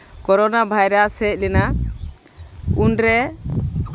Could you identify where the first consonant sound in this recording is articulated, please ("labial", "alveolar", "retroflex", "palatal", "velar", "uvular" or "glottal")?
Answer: velar